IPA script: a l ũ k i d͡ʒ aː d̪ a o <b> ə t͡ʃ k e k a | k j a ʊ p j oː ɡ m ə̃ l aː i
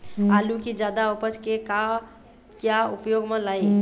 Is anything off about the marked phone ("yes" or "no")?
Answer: yes